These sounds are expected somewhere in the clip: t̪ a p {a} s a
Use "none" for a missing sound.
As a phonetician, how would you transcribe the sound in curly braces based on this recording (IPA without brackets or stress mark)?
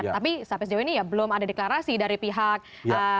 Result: i